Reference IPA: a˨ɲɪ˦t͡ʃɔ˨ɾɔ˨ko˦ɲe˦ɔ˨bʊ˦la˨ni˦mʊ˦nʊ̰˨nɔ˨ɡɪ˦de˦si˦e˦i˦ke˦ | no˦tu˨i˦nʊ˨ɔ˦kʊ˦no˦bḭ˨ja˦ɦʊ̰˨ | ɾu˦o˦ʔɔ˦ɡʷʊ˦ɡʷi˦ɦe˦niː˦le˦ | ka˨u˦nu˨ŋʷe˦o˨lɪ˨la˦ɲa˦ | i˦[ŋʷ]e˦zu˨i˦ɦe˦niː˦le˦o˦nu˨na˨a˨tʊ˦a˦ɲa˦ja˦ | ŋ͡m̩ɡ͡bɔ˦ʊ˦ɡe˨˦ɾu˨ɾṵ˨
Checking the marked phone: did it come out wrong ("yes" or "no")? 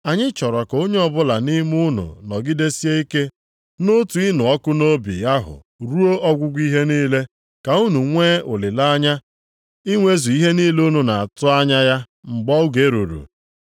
no